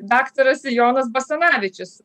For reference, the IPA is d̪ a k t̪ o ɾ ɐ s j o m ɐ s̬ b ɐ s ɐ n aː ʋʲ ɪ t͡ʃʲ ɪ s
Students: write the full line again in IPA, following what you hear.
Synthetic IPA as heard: d̪ a k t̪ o ɾ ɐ s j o n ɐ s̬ b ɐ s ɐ n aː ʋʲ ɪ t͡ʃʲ ɪ s